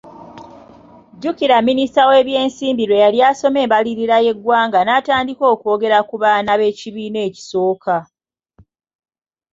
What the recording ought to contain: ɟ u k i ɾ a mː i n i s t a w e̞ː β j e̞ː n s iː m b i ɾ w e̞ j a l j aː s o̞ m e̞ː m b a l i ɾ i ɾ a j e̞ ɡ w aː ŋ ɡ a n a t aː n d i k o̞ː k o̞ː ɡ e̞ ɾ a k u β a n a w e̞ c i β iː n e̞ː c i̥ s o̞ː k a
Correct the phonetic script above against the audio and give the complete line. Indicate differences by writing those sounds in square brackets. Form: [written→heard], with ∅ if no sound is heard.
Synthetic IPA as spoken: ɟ u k i ɾ a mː i n i s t a w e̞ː β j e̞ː n s iː m b i ɾ w e̞ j a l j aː s o̞ m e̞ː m b a l i ɾ i ɾ a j e̞ ɡ w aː ŋ ɡ a n a t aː n d i k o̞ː k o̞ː ɡ e̞ ɾ a k u β a n a [w→β] e̞ c i β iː n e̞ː c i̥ s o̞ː k a

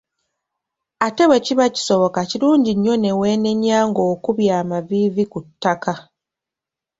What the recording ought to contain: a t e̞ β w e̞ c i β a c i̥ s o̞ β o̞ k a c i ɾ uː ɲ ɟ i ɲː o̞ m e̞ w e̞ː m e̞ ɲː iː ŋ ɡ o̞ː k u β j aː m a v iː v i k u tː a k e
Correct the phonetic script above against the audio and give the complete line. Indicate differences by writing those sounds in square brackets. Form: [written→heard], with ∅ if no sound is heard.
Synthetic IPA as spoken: a t e̞ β w e̞ c i β a c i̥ s o̞ β o̞ k a c i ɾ uː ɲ ɟ i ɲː o̞ [m→n] e̞ w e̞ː [m→n] e̞ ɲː [iː→aː] ŋ ɡ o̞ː k u β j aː m a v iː v i k u tː a k [e→a]

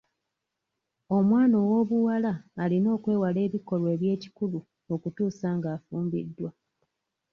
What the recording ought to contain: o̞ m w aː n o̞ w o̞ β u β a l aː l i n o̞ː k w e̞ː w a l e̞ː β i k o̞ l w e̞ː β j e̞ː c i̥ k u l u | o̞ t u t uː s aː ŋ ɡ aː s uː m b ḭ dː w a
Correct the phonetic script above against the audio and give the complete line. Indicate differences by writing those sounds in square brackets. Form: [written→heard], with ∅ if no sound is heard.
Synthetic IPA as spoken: o̞ m w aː n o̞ w o̞ β u [β→w] a l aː l i n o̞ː k w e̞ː w a l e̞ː β i k o̞ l w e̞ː β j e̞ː c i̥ k u l u | o̞ [t→k] u t uː s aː ŋ ɡ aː [s→f] uː m b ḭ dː w a

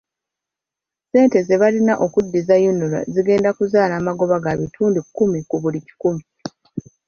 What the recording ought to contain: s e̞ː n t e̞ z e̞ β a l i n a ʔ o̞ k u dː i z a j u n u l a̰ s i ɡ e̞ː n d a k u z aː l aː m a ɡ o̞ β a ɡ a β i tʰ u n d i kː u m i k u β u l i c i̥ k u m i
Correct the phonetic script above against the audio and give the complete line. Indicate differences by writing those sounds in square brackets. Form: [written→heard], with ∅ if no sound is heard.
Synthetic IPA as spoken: s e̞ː n t e̞ z e̞ β a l i n a ʔ o̞ k u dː i z a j u n u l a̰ [s→z] i ɡ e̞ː n d a k u z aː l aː m a ɡ o̞ β a ɡ a β i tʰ [u→uː] n d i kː u m i k u β u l i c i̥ k u m i

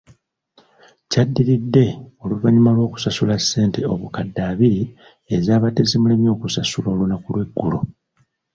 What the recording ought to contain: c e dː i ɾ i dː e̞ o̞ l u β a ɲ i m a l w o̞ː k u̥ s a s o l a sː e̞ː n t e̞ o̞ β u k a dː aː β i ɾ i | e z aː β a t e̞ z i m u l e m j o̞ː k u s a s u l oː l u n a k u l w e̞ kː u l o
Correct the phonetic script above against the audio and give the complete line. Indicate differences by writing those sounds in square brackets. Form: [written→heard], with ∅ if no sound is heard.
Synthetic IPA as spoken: c [e→a] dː i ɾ i dː e̞ o̞ l u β a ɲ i m a l w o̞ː k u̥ s a s [o→u] l a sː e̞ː n t e̞ o̞ β u k a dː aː β i ɾ i | e z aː β a t e̞ z i m u l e m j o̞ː k u s a s u l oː l u n a k u l w e̞ [kː→ɡː] u l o

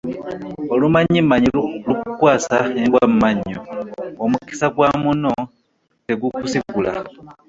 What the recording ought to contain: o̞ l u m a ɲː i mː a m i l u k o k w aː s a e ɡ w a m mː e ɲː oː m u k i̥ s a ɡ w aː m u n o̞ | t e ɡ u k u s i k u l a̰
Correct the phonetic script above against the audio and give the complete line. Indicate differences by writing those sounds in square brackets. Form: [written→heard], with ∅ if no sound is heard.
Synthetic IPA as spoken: o̞ l u m a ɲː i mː a [m→ɲ] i l u k [o→u] k w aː s a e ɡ w a m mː [e→a] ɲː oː m u k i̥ s a ɡ w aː m u n o̞ | t e ɡ u k u s i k u l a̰

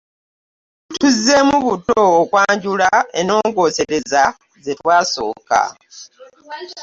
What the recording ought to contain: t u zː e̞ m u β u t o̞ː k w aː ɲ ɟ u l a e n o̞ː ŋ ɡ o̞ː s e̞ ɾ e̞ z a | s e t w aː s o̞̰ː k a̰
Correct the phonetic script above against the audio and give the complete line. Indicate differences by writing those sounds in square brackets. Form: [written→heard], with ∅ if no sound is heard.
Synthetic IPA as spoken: t u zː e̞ m u β u t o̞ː k w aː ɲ ɟ u l a e n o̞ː ŋ ɡ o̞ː s e̞ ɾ e̞ z a | [s→z] e t w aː s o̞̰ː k a̰

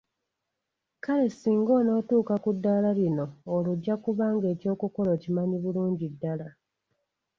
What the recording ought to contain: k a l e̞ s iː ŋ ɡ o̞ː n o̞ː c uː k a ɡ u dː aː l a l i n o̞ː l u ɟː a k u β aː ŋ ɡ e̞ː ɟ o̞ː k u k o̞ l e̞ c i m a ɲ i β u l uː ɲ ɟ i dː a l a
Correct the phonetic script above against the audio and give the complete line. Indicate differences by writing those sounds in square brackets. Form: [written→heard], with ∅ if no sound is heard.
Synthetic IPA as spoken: k a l e̞ s iː ŋ ɡ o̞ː n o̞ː [c→t] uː k a [ɡ→k] u dː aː l a l i n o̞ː l u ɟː a k u β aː ŋ ɡ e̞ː [ɟ→c] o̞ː k u k o̞ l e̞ c i m a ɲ i β u l uː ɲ ɟ i dː a l a

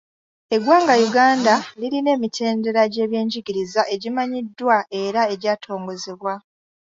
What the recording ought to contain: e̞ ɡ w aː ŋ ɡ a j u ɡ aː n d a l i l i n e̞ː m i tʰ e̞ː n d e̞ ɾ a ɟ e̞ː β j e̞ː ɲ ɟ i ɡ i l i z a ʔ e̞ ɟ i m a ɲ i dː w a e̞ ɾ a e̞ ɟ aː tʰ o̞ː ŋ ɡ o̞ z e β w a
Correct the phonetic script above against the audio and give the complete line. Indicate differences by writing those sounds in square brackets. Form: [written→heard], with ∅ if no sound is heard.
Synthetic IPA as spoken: e̞ ɡ w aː ŋ ɡ a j u ɡ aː n d a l i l i n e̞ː m i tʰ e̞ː n d e̞ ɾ a ɟ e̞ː β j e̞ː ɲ ɟ i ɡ i [l→ɾ] i z a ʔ e̞ ɟ i m a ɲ i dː w a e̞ ɾ a e̞ ɟ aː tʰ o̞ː ŋ ɡ o̞ z e β w a

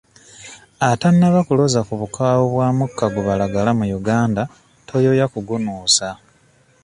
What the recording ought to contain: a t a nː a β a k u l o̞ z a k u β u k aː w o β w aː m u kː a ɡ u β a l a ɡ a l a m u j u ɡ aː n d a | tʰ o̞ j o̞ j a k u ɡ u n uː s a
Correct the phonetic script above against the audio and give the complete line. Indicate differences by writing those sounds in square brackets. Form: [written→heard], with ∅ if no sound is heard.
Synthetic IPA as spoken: a t a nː a β a k u l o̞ z a k u β u k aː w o β w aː m u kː a ɡ u β a l a ɡ a l a m u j u ɡ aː n d a | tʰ o̞ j o̞ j a k u ɡ u n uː s a

